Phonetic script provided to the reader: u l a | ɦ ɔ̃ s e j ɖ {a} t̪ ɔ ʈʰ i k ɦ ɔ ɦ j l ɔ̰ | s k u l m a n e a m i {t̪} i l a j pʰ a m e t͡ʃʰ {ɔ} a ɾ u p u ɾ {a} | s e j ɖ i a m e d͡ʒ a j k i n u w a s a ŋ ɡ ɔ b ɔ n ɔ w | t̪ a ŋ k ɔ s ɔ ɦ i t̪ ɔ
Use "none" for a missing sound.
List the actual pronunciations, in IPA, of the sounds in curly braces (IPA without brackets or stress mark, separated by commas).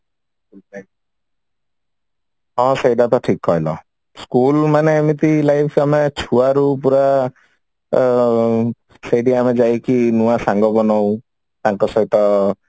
a, t̪, u, a